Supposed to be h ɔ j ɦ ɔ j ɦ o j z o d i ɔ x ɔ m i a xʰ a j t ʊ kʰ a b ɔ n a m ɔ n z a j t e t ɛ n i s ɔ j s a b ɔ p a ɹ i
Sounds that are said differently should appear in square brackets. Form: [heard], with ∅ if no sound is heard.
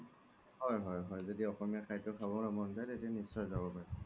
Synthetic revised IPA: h ɔ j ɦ ɔ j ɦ [ɔ] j z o d i ɔ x ɔ m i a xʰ a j t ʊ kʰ a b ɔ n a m ɔ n z a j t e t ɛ n i s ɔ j [z] a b ɔ p a ɹ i